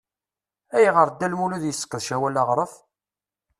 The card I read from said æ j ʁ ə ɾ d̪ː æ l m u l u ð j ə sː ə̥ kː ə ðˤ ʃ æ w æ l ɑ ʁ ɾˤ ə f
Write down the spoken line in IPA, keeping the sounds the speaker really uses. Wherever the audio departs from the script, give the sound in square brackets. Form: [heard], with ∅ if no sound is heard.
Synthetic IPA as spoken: æ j ʁ ə ɾ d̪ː æ l m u l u ð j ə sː ə̥ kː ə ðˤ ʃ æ w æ l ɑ ʁ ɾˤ ə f